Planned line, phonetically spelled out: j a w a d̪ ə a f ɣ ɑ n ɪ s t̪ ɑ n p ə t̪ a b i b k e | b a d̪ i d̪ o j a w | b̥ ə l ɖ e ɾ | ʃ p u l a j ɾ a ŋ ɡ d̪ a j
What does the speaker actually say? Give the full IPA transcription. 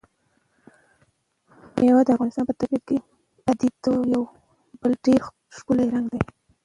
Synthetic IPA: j a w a d̪ ə a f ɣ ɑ n ɪ s t̪ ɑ n p ə t̪ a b i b k e | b a d̪ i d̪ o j a w | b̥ ə l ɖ e ɾ | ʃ k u l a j ɾ a ŋ ɡ d̪ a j